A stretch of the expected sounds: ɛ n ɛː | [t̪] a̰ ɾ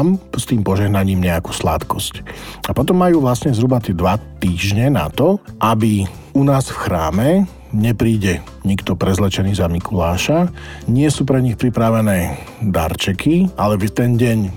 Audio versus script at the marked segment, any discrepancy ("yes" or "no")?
yes